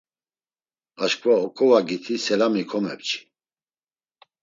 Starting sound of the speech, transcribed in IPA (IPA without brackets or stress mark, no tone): a